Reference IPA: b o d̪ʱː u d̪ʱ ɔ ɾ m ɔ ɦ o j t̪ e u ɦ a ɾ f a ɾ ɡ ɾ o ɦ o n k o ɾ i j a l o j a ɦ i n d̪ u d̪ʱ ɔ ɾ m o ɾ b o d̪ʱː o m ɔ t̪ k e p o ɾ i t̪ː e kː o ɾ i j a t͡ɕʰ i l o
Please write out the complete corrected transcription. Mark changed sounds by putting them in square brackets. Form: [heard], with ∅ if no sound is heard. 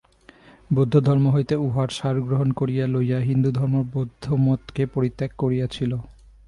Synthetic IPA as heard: b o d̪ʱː [o] d̪ʱ ɔ ɾ m [o] ɦ o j t̪ e u ɦ a ɾ [ʃ] a ɾ ɡ ɾ o ɦ o n k o ɾ i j a l o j a ɦ i n d̪ u d̪ʱ ɔ ɾ m o ɾ b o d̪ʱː o m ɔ t̪ k e p o ɾ i t̪ː e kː o ɾ i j a t͡ɕʰ i l o

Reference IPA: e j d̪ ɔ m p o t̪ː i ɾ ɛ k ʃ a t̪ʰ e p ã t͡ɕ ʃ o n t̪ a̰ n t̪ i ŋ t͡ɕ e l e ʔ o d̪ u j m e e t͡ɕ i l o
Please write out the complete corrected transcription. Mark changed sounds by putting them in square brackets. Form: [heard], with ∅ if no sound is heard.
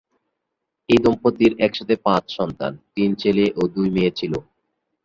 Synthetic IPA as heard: e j d̪ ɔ m p o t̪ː i ɾ ɛ k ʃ a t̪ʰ e p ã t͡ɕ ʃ [ɔ] n t̪ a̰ n t̪ i [n] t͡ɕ e l e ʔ o d̪ u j m e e [t͡ɕʰ] i l o

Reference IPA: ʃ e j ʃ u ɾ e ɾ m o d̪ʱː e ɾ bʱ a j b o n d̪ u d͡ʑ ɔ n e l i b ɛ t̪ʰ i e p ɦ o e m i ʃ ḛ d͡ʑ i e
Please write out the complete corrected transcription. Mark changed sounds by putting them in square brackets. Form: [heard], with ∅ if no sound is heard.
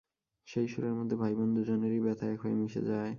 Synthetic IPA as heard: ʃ e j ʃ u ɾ e ɾ m o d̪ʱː e [∅] bʱ a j b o n d̪ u d͡ʑ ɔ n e [ɾ] i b ɛ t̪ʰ [a] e [k] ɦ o e m i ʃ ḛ d͡ʑ [a] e

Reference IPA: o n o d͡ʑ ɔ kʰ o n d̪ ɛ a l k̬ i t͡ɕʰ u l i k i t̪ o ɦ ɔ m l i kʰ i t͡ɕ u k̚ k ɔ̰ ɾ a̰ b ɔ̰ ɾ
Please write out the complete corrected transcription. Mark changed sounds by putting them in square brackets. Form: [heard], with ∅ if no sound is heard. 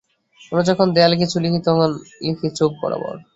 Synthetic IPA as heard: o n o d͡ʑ ɔ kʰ o n d̪ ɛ a l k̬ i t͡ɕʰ u l i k i t̪ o ɦ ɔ [n] l i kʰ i t͡ɕ [o] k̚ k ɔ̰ ɾ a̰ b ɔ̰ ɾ

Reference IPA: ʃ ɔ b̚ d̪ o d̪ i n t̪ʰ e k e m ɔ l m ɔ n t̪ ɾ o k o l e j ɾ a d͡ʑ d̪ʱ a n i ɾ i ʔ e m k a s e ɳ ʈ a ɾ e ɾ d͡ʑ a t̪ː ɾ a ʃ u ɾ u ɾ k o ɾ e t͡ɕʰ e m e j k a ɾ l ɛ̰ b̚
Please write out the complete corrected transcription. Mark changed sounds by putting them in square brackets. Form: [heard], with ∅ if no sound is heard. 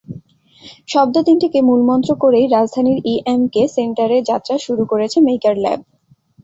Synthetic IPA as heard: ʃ ɔ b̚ d̪ o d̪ i n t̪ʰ e k e m [u] l m ɔ n t̪ ɾ o k o [ɾ] e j ɾ a d͡ʑ d̪ʱ a n i ɾ i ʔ e m k [e] s e ɳ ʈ a ɾ e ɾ d͡ʑ a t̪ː ɾ a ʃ u ɾ u [∅] k o ɾ e t͡ɕʰ e m e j k a ɾ l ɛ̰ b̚

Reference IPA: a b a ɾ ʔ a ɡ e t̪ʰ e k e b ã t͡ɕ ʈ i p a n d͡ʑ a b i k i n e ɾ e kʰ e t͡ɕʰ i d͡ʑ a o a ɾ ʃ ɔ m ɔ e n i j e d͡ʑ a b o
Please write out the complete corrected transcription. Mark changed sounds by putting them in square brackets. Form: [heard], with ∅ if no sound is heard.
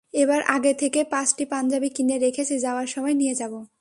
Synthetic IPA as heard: [e] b a ɾ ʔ a ɡ e t̪ʰ e k e [p] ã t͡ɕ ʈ i p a n d͡ʑ a b i k i n e ɾ e kʰ e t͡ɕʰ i d͡ʑ a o a ɾ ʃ ɔ m ɔ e n i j e d͡ʑ a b o

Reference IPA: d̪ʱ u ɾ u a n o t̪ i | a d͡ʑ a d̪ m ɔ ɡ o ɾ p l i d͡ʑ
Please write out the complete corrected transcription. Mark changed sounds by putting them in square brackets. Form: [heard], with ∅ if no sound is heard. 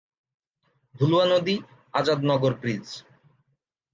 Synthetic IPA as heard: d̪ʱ u [l] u a n o [d̪] i | a d͡ʑ a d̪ [n] ɔ ɡ o ɾ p [ɾ] i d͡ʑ

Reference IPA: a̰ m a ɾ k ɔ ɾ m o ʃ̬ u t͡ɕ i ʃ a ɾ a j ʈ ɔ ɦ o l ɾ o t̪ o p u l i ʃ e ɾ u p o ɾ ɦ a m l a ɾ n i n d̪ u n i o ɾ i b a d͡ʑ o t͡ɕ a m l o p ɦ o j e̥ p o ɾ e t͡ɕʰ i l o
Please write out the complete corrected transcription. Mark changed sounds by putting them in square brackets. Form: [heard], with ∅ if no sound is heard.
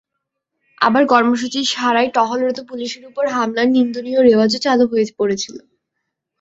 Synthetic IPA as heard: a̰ [b] a ɾ k ɔ ɾ m o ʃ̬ u t͡ɕ i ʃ a ɾ a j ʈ ɔ ɦ o l ɾ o t̪ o p u l i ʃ e ɾ u p o ɾ ɦ a m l a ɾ n i n d̪ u n i o ɾ [e] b a d͡ʑ o t͡ɕ a [∅] l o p ɦ o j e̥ p o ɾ e t͡ɕʰ i l o

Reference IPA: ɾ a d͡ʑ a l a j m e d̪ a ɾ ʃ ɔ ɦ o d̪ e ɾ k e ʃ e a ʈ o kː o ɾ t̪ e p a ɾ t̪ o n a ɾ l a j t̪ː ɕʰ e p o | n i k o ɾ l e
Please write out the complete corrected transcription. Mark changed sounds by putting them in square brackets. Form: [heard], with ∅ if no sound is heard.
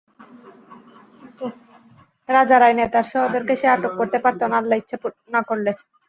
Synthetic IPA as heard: ɾ a d͡ʑ a [ɾ] a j [n] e [t̪] a ɾ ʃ ɔ ɦ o d̪ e ɾ k e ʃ e a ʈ o kː o ɾ t̪ e p a ɾ t̪ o n a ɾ l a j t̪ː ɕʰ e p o | n [a] k o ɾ l e

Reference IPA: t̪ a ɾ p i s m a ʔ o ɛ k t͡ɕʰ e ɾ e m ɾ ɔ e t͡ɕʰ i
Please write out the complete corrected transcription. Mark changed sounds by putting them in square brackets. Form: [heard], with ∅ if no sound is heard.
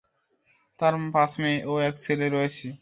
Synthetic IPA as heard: t̪ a ɾ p [a] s m [e] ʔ o ɛ k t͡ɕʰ e [l] e [∅] ɾ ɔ e t͡ɕʰ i

